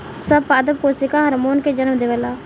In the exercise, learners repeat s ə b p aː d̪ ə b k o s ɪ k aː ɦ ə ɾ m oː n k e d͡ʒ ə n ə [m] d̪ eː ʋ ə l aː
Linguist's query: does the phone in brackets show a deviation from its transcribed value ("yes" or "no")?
no